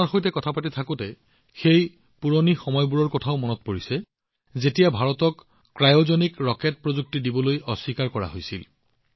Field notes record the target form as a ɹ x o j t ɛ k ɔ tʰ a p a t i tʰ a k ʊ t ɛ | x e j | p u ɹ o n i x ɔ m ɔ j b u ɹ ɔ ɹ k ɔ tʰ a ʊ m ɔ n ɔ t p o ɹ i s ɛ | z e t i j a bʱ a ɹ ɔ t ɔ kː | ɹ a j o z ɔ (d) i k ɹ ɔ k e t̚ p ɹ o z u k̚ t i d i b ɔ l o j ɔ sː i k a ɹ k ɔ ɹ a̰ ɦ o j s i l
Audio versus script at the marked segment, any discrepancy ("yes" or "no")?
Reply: yes